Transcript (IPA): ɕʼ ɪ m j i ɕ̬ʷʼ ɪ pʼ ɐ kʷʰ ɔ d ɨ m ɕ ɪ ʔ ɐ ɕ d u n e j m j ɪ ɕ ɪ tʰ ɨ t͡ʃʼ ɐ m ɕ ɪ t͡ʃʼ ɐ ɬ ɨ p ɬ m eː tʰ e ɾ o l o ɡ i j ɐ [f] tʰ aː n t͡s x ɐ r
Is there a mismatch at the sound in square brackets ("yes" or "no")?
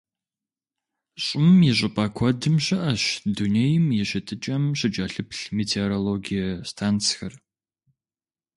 yes